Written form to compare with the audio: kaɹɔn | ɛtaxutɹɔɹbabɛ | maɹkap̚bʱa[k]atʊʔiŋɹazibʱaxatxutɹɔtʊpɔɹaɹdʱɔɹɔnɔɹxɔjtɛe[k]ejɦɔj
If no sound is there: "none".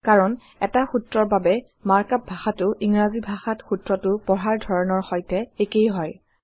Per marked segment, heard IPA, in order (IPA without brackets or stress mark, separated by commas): x, k